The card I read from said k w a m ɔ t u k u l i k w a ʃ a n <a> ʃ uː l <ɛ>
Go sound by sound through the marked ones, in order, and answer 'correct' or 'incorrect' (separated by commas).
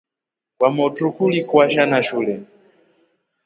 correct, correct